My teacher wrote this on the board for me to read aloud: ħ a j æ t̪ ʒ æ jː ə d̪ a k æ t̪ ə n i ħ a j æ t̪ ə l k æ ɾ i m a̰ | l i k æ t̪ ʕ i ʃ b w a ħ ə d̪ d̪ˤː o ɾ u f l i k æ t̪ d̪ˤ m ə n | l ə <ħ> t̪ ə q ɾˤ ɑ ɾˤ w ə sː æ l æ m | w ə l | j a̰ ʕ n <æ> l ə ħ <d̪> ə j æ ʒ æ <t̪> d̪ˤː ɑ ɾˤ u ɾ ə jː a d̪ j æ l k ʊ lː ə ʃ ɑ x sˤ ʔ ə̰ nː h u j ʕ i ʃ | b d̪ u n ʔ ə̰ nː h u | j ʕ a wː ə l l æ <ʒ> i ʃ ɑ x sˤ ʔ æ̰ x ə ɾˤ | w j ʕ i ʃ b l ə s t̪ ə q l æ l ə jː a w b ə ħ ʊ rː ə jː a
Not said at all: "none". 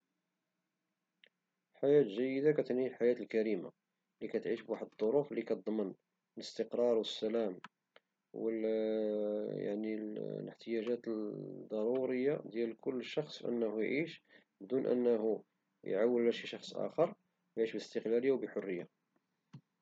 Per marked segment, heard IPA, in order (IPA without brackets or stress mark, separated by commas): s, i, t̪, t̪, ʃ